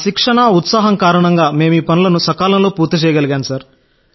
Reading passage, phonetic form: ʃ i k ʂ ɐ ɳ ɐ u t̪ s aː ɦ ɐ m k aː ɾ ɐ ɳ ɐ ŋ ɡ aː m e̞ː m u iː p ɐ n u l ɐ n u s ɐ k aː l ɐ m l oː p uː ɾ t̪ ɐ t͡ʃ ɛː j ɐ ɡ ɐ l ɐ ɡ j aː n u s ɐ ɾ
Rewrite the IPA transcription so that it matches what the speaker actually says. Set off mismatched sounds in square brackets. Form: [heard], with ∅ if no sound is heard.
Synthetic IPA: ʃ i k ʂ ɐ ɳ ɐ u t̪ s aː ɦ ɐ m k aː ɾ ɐ ɳ ɐ ŋ ɡ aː m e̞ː m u iː p ɐ n u l ɐ n u s ɐ k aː l ɐ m l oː p uː ɾ t̪ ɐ t͡ʃ ɛː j ɐ ɡ ɐ l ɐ ɡ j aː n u s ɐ ɾ